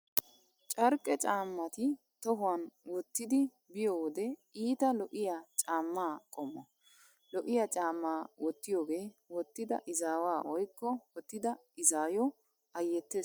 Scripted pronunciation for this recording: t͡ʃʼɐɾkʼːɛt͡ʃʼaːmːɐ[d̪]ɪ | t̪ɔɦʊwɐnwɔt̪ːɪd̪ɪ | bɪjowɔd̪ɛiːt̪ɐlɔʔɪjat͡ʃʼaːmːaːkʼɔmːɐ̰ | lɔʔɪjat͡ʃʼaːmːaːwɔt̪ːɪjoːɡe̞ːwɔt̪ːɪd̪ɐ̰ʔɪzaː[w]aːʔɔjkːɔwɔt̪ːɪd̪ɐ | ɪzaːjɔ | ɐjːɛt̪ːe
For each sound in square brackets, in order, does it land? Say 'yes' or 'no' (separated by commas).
no, yes